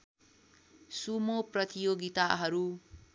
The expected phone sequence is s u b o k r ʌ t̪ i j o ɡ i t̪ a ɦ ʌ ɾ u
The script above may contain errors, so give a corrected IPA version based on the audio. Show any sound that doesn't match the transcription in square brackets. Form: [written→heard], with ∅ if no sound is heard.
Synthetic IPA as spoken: s u [b→m] o [k→p] r ʌ t̪ i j o ɡ i t̪ a ɦ ʌ ɾ u